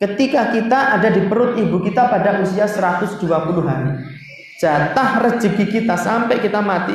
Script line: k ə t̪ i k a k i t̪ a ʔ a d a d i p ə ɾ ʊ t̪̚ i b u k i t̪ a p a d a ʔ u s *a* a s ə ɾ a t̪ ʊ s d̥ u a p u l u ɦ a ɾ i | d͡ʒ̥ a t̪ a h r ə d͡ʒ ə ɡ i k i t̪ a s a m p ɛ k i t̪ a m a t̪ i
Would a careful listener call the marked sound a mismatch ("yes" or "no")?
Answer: yes